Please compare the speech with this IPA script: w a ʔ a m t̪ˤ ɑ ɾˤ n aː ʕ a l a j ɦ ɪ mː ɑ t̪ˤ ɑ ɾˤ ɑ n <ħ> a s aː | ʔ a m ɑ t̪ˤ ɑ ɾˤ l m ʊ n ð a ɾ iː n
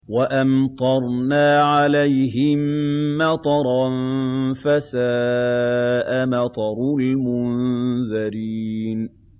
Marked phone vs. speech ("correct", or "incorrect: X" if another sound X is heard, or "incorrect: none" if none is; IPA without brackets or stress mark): incorrect: f